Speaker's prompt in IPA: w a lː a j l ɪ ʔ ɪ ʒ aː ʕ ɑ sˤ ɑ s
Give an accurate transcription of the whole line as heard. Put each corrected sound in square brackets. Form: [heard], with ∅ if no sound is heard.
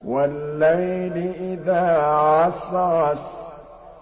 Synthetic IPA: w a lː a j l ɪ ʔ ɪ [ð] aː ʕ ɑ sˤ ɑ s